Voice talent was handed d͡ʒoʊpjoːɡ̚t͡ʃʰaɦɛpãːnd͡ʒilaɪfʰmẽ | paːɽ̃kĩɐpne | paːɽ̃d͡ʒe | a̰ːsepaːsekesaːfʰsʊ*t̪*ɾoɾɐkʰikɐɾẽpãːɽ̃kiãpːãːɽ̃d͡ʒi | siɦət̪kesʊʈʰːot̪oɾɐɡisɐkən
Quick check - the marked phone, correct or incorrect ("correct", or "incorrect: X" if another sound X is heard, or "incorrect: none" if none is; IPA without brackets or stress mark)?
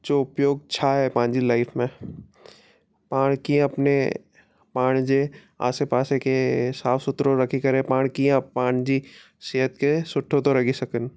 correct